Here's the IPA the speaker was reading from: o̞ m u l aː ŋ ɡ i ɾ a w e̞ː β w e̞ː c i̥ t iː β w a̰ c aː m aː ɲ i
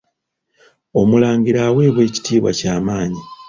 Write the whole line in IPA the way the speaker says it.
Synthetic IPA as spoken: o̞ m u l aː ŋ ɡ i ɾ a w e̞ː β w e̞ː c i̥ t iː β w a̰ c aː m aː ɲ i